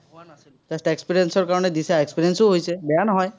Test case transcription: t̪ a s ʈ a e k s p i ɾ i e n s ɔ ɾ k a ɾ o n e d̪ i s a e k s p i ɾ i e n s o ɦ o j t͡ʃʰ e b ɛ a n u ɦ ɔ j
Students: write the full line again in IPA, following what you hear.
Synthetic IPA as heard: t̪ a s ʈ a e k s p i ɾ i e n s ɔ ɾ k a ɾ ɔ n e d̪ i s a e k s p i ɾ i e n s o ɦ o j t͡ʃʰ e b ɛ a n ɔ ɦ ɔ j

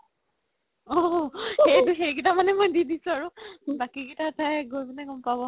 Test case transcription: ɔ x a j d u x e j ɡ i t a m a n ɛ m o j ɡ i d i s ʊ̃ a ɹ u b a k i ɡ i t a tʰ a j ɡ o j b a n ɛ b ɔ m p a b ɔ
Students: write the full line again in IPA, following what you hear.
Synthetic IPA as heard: ɔ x e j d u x e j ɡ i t a m a n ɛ m o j d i d i s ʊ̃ a ɹ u b a k i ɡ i t a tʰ a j ɡ o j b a n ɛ ɡ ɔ m p a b ɔ

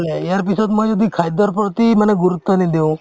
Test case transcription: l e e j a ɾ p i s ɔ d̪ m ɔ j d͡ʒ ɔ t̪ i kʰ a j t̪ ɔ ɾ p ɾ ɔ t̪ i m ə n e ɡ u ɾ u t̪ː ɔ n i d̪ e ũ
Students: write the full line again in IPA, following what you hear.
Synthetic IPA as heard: l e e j a ɾ p i s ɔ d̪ m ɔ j d͡ʒ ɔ d̪ i kʰ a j d̪ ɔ ɾ p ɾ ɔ t̪ i m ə n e ɡ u ɾ u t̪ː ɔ n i d̪ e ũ

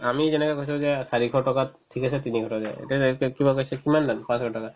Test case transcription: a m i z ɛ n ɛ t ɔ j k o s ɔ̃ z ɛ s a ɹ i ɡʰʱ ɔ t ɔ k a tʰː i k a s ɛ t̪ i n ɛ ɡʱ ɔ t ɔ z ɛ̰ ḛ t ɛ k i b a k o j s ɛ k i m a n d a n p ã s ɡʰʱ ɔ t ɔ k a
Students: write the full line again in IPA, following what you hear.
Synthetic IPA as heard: a m i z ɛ n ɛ k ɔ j k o s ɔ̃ z ɛ s a ɹ i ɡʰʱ ɔ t ɔ k a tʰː i k a s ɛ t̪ i n i ɡʱ ɔ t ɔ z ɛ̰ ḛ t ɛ k i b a k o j s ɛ k i m a n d a n p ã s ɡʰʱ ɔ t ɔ k a

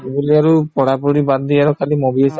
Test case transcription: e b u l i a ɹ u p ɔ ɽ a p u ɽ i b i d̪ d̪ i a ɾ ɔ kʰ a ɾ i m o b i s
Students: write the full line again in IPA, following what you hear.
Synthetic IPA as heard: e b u l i a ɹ u p ɔ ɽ a p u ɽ i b a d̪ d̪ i a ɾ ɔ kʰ a l i m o b i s

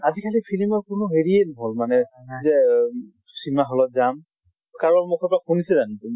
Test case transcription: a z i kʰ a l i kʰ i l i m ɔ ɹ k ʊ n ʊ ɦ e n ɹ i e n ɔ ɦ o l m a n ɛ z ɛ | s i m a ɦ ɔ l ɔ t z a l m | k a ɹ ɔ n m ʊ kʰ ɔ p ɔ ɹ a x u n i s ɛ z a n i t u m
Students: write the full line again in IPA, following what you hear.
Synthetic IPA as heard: a z i kʰ a l i pʰ i l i m ɔ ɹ k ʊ n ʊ ɦ e ɹ i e n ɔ ɦ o l m a n ɛ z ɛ | s i m a ɦ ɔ l ɔ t z a m | k a ɹ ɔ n m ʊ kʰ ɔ p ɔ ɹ a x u n i s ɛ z a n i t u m

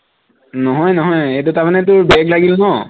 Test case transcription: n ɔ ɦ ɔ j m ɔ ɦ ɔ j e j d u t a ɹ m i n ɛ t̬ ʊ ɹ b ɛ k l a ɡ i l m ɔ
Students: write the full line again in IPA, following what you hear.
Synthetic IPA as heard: n ɔ ɦ ɔ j n ɔ ɦ ɔ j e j t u t a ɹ m a n ɛ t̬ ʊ ɹ b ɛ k l a ɡ i l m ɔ

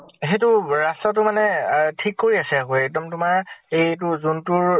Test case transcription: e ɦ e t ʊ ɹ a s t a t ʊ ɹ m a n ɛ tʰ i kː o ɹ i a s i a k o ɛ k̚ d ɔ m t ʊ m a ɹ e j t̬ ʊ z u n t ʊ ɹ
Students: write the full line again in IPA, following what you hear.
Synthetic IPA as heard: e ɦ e t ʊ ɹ a s t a t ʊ m a n ɛ tʰ i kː o ɹ i a s ɛ a k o ɛ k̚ d ɔ m t ʊ m a ɹ e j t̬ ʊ z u n t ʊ ɹ

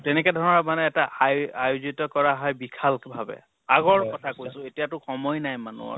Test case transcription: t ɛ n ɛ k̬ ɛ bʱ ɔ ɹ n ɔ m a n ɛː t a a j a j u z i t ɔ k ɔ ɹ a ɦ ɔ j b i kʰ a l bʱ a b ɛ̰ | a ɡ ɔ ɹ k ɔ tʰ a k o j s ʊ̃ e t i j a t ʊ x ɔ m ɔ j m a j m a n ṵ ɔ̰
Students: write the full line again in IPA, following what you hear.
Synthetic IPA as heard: t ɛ n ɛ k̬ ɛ dʱ ɔ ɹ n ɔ m a n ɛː t a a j a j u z i t ɔ k ɔ ɹ a ɦ ɔ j b i kʰ a l bʱ a b ɛ̰ | a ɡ ɔ ɹ k ɔ tʰ a k o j s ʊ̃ e t i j a t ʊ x ɔ m ɔ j n a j m a n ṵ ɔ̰

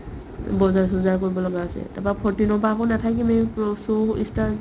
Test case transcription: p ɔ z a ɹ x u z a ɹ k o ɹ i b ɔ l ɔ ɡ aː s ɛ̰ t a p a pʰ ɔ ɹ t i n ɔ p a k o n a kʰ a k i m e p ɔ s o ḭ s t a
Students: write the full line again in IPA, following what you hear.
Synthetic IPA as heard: b ɔ z a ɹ s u z a ɹ k o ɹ i b ɔ l ɔ ɡ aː s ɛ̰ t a p a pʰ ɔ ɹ t i n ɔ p a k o n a tʰ a k i m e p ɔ s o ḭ s t a

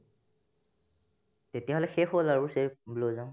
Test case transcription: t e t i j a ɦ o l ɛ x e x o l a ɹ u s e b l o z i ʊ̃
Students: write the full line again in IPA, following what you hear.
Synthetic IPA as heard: t e t i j a ɦ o l ɛ x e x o l a ɹ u s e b l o z a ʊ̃

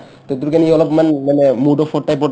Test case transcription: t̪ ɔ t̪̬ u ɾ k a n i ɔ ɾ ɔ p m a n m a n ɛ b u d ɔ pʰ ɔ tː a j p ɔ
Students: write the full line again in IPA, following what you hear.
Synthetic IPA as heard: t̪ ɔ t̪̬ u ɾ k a n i ɔ l ɔ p m a n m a n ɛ m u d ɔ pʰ ɔ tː a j p ɔ

